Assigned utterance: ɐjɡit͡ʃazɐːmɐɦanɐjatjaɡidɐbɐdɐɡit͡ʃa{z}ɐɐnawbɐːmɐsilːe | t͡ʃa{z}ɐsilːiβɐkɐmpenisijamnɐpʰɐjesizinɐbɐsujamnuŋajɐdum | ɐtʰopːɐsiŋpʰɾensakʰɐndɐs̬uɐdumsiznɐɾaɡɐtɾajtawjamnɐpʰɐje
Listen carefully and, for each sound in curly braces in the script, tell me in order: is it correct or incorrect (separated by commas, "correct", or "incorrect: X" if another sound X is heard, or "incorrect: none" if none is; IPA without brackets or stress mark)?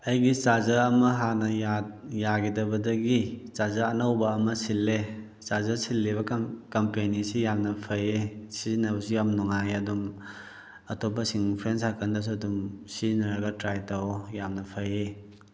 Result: correct, correct